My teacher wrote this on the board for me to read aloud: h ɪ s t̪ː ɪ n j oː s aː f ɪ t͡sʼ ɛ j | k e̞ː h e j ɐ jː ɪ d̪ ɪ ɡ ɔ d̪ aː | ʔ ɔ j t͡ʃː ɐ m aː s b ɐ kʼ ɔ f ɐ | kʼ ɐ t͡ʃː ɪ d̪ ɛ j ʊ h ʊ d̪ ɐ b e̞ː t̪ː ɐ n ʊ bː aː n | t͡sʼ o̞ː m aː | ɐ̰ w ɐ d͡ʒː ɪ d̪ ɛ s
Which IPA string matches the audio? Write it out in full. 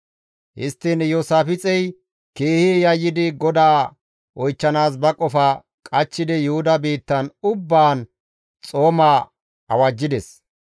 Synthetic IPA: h ɪ s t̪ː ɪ n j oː s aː f ɪ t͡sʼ ɛ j | k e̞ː h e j ɐ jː ɪ d̪ ɪ ɡ ɔ d̪ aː | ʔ ɔ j t͡ʃː ɐ n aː s b ɐ kʼ ɔ f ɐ | kʼ ɐ t͡ʃː ɪ d̪ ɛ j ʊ h ʊ d̪ ɐ b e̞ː t̪ː ɐ n ʊ bː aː n | t͡sʼ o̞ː m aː | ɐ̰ w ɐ d͡ʒː ɪ d̪ ɛ s